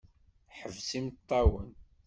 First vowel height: mid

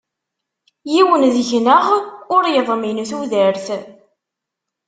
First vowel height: high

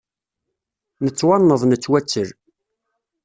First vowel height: mid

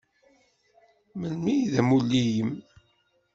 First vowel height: mid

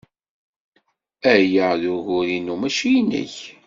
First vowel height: low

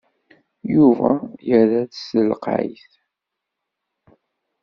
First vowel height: high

